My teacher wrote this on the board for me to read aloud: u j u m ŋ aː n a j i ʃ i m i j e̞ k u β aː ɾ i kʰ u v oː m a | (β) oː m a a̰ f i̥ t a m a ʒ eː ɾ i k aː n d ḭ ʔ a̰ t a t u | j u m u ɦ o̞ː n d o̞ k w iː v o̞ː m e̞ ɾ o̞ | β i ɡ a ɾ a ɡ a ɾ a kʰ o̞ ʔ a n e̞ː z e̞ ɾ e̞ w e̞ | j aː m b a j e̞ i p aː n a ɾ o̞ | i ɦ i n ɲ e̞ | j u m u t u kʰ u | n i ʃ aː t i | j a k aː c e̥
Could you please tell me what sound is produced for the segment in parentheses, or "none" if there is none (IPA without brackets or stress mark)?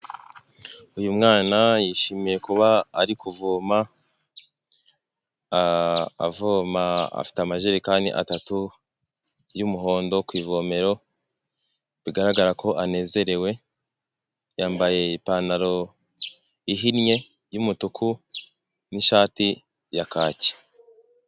v